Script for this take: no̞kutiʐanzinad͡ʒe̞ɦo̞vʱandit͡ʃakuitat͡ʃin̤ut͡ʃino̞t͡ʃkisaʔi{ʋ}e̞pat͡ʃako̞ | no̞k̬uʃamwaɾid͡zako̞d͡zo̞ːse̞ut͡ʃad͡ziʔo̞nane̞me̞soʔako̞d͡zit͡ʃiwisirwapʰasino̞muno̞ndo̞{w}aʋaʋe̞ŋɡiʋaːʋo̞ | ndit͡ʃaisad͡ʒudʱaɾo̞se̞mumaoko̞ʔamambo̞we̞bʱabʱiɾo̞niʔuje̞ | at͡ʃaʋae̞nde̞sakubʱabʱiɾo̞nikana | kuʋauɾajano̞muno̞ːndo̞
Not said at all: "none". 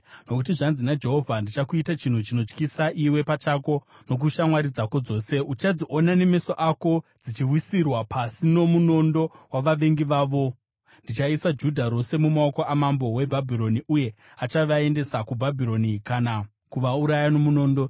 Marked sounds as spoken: w, w

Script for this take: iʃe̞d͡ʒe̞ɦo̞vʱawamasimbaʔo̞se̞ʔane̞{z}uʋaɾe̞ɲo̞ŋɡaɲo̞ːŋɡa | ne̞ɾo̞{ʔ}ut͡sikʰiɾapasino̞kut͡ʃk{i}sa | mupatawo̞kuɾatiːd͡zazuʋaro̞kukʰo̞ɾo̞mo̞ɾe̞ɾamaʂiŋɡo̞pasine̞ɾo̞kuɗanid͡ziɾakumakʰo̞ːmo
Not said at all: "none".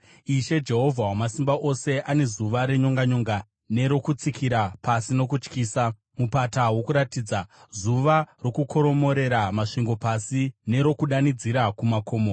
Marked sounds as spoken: z, k, iː

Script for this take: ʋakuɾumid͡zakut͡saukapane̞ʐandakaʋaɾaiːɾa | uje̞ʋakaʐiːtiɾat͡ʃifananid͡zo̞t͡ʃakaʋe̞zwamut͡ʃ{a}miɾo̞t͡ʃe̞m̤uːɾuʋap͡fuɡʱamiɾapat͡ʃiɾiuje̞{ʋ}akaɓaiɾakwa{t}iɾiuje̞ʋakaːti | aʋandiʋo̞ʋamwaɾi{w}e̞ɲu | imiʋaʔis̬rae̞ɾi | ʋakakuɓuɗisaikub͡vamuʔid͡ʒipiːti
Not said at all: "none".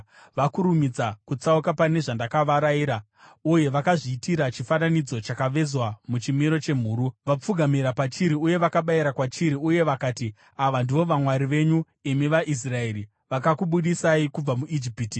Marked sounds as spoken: i, ʋ, t͡ʃ, ʋ

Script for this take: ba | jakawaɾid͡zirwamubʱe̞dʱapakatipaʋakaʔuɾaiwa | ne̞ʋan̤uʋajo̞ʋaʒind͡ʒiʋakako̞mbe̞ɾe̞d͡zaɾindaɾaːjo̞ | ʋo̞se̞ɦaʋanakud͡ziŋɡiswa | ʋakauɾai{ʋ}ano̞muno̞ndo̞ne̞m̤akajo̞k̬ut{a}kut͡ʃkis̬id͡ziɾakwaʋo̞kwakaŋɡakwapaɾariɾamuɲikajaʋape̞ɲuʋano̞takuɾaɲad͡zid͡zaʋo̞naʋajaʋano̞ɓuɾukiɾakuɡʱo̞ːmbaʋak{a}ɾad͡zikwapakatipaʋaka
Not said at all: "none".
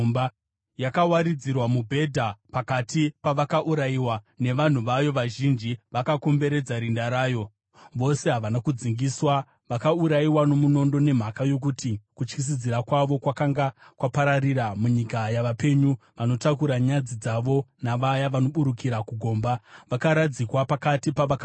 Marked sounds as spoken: w, i, a

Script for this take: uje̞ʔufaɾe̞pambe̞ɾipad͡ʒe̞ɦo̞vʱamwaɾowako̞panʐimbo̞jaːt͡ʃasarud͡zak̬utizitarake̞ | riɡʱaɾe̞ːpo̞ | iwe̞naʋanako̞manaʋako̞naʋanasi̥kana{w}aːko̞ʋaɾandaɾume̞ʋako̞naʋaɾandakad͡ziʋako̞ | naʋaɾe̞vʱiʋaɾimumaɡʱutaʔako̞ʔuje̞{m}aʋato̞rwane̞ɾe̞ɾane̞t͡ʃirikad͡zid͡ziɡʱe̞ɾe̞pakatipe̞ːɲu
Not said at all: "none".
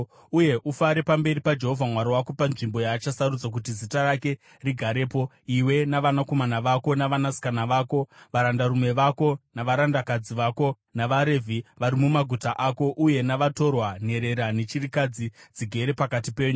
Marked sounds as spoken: ʋ, n

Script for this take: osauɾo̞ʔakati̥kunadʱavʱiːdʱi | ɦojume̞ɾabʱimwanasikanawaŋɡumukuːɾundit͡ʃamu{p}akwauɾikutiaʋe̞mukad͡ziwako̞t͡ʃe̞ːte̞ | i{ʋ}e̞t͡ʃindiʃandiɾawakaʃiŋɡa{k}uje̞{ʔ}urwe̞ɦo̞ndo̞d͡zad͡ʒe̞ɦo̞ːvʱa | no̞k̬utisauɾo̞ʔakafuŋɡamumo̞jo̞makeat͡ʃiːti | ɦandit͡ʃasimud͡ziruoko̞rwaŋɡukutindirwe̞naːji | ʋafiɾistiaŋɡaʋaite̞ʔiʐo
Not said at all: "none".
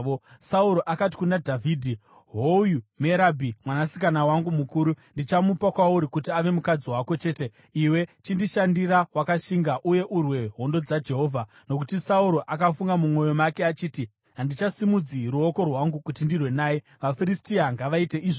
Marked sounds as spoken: p, w, ʔ, ʔ

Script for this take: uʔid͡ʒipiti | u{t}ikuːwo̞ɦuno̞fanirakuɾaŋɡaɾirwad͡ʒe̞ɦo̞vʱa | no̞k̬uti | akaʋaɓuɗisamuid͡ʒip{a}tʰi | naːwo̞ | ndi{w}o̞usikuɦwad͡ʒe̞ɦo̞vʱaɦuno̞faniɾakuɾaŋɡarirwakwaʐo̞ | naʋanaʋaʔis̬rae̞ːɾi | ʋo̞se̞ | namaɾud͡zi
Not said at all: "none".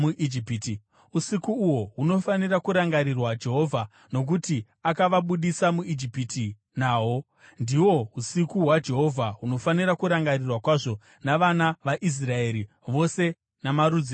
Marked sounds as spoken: s, i, w

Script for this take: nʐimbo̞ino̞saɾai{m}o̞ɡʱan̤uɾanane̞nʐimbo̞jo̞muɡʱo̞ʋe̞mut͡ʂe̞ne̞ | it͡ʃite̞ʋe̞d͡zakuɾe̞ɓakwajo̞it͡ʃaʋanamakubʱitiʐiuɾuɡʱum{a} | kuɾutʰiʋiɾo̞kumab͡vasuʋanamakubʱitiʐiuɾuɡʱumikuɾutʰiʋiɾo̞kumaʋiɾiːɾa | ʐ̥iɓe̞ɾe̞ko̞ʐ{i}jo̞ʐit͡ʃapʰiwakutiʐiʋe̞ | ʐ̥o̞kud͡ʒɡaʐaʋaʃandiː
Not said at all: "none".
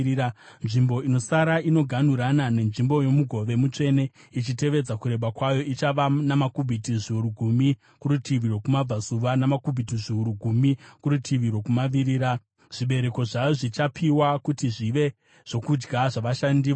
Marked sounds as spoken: n, i, a

